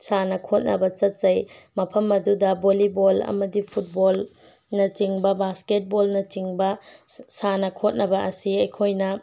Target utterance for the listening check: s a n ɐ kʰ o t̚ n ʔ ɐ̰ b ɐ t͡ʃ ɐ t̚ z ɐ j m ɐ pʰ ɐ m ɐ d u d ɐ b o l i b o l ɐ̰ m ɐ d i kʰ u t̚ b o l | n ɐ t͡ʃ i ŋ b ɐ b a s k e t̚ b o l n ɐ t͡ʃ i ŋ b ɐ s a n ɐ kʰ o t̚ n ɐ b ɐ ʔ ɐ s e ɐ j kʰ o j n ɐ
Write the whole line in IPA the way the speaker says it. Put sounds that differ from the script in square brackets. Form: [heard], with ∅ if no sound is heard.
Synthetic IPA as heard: s a n ɐ kʰ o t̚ n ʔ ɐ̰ b ɐ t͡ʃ ɐ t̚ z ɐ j m ɐ pʰ ɐ m ɐ d u d ɐ b o l i b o l ɐ̰ m ɐ d i [pʰ] u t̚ b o l | n ɐ t͡ʃ i ŋ b ɐ b a s k e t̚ b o l n ɐ t͡ʃ i ŋ b ɐ s a n ɐ kʰ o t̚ n ɐ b ɐ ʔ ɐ s [i] ɐ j kʰ o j n ɐ